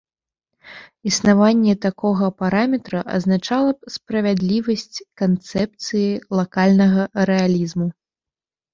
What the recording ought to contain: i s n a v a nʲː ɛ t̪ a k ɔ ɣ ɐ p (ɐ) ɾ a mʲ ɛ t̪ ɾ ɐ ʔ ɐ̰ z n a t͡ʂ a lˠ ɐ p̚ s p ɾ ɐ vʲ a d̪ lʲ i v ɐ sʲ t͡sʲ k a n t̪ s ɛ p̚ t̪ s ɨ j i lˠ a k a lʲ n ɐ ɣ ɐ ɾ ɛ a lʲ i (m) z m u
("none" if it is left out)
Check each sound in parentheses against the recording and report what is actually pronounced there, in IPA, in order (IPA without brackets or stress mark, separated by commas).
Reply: a, none